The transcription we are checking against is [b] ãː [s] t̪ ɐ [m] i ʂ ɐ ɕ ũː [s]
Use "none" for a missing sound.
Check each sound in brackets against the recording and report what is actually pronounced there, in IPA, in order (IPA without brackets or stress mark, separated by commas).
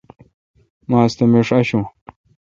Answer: m, s, m, none